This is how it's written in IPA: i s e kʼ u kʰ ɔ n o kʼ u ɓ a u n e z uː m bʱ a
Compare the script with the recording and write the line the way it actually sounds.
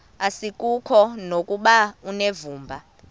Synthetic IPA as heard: a s i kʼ u kʰ ɔ n o kʼ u ɓ a u n e v uː m bʱ a